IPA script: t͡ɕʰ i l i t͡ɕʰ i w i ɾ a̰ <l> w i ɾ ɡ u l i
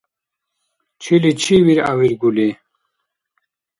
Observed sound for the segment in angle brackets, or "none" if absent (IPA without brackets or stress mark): none